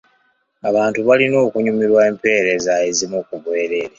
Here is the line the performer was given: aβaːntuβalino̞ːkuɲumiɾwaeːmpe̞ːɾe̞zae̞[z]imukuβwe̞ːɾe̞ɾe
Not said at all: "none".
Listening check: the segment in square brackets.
z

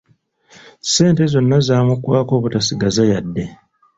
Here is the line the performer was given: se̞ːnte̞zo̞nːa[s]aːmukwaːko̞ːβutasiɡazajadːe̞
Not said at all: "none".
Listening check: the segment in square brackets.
z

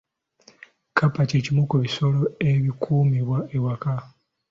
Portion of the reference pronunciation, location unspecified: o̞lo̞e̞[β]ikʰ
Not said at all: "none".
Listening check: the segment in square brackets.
β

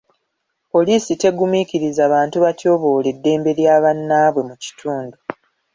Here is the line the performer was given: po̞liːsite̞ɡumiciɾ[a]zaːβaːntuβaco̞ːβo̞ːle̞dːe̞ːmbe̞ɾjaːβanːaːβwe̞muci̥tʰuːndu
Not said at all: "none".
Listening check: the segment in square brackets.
i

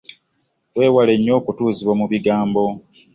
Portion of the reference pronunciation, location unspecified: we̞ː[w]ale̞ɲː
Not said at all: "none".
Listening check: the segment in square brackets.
w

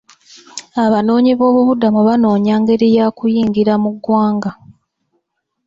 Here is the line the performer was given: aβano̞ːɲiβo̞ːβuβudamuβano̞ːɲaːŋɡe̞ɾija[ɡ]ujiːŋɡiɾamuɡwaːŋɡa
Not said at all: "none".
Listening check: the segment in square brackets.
k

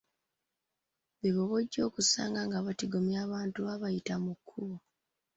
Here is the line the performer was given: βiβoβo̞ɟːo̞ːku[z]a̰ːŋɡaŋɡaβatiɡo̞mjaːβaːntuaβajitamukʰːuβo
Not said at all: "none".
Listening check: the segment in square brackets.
s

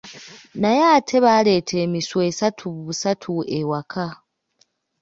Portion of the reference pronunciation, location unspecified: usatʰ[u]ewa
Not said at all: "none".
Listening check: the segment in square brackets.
u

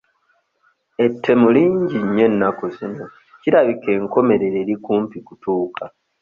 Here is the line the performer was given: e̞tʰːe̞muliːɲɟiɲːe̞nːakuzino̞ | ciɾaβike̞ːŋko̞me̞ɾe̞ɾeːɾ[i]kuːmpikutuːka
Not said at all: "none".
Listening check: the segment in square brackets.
i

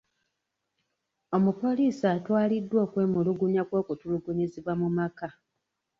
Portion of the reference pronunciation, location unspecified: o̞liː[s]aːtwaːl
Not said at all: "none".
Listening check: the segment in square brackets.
s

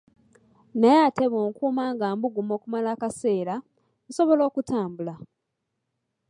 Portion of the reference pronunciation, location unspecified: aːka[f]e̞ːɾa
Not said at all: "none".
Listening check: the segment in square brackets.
s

